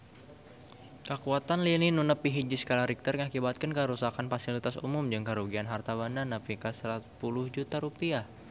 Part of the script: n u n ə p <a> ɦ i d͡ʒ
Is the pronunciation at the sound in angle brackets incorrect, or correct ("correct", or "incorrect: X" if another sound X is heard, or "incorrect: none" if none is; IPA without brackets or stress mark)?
incorrect: i